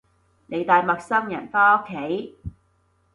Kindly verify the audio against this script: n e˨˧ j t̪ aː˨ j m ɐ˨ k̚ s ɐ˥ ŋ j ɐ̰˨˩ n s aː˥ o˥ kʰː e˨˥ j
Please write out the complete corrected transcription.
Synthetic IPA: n e˨˧ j t̪ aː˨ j m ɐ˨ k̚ s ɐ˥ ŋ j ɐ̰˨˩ n f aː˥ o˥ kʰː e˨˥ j